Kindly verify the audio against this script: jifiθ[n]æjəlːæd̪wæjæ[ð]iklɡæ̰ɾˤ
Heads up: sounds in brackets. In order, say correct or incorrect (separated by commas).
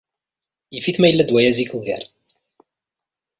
incorrect, incorrect